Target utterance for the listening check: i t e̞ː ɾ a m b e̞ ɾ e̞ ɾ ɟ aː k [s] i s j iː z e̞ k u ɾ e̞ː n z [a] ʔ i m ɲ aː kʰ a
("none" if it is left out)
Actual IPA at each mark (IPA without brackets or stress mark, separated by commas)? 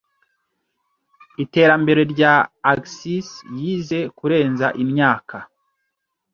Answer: s, a